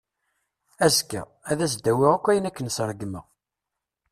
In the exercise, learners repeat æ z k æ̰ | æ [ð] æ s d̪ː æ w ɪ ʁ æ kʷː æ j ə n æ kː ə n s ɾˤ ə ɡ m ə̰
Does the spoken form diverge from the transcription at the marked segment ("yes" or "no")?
no